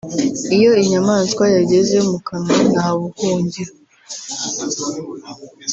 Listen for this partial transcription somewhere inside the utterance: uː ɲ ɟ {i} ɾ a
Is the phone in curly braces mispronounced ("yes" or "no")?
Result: no